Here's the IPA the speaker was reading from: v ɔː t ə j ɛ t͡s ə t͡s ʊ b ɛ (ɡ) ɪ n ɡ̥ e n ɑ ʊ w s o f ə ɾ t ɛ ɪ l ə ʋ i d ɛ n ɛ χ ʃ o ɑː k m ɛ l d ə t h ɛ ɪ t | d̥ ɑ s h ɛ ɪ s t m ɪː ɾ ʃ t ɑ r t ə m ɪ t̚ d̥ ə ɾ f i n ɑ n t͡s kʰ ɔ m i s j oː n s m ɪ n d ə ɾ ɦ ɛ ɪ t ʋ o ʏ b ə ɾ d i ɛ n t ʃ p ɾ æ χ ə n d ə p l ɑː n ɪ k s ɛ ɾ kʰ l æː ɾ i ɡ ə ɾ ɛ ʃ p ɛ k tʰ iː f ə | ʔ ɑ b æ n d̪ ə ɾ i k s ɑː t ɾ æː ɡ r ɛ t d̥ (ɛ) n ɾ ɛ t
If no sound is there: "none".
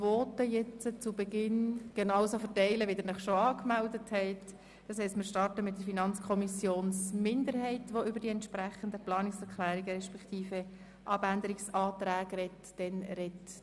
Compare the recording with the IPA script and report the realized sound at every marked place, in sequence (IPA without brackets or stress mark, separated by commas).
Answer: ɡ, ɛ